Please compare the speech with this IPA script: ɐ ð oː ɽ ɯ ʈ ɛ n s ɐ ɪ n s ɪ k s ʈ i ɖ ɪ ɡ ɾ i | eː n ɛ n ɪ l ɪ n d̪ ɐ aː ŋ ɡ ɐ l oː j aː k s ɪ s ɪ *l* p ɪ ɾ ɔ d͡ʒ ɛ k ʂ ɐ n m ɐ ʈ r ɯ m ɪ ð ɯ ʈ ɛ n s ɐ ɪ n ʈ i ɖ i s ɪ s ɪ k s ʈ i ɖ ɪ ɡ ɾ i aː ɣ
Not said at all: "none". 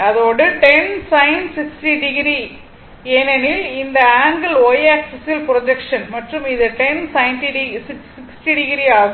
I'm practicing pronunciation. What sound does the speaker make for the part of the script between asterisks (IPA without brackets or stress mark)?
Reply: l